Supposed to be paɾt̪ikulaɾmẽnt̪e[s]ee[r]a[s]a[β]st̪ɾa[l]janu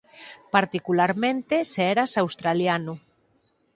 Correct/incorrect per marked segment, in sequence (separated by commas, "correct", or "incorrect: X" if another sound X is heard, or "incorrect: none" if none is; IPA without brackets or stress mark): correct, incorrect: ɾ, correct, incorrect: w, correct